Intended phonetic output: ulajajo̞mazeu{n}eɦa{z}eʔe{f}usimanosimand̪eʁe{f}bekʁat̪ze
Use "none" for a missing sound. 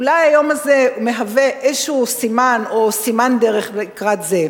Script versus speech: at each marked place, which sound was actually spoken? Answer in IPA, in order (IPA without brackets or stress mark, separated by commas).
m, v, ʃ, χ